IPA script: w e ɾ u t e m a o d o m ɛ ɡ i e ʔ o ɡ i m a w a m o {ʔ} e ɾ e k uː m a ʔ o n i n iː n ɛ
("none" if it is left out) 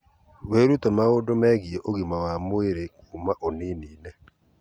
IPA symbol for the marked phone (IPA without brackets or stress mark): none